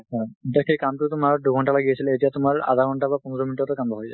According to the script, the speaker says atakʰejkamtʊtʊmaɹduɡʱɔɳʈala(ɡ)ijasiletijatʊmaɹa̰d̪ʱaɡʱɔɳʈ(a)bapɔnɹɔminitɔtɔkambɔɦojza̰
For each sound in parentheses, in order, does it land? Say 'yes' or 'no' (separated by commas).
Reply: yes, yes